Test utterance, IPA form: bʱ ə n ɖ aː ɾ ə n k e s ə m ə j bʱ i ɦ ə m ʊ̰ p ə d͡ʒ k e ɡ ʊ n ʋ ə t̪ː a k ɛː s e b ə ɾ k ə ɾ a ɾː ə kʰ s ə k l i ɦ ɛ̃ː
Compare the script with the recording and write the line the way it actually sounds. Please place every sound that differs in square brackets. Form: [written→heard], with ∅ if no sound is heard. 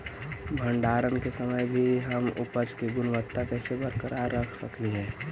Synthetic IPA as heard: bʱ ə [n→ɳ] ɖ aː ɾ ə n k e s ə m ə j bʱ i ɦ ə m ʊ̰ p ə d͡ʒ k e ɡ ʊ n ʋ ə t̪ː a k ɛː s e b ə ɾ k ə ɾ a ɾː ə kʰ s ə k l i ɦ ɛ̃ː